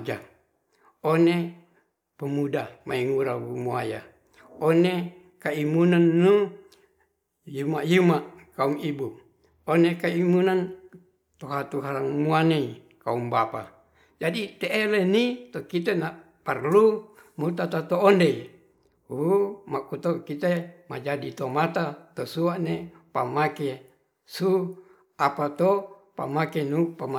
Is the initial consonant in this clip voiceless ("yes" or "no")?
no